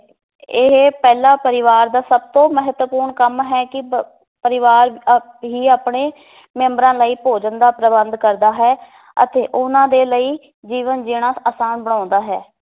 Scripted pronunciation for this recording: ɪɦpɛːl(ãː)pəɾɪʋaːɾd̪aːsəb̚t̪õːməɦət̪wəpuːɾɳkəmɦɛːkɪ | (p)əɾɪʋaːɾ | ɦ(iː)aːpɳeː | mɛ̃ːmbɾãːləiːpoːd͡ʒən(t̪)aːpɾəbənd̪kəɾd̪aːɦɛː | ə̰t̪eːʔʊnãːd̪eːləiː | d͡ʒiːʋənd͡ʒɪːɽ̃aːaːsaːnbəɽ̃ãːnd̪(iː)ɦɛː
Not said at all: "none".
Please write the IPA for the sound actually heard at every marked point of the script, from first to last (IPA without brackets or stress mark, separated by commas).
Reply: aː, p, iː, d̪, aː